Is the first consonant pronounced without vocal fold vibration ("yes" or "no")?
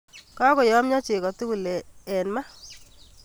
yes